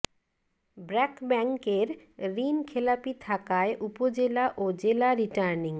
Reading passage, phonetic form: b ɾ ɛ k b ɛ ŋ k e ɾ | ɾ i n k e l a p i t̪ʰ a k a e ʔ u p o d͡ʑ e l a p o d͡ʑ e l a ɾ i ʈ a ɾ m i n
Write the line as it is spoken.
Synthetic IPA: b ɾ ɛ k b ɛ ŋ k e ɾ | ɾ i n kʰ e l a p i t̪ʰ a k a e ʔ u p o d͡ʑ e l a ʔ o d͡ʑ e l a ɾ i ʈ a ɾ n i ŋ